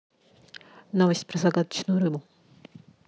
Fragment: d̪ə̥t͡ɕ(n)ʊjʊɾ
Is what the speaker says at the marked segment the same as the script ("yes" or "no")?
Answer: yes